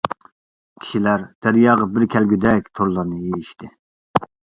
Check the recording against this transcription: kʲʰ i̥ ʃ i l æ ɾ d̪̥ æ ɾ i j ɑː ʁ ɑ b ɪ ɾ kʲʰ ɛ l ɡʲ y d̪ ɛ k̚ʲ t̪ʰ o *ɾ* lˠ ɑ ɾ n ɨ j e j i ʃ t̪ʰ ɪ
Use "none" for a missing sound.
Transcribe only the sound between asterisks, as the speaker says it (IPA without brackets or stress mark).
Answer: ɾ